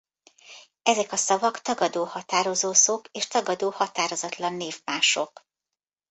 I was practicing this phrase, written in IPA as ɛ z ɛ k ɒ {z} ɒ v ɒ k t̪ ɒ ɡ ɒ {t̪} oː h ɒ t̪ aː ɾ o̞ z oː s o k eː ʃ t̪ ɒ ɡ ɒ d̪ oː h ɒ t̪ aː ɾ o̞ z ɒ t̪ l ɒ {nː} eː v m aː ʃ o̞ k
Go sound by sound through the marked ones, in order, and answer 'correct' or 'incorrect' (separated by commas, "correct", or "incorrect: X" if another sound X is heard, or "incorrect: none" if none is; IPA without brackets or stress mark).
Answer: incorrect: s, incorrect: d̪, correct